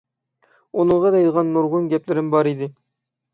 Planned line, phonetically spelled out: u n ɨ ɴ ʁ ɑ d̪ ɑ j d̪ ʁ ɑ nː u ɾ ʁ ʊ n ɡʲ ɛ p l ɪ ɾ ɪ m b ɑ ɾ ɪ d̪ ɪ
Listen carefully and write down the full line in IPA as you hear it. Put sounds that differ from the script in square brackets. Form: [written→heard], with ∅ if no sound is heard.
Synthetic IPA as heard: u n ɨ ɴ ʁ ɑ d̪ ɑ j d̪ ʁ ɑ nː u ɾ ʁ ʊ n ɡʲ ɛ p l ɪ ɾ ɪ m b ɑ ɾ [ɪ→i] d̪ ɪ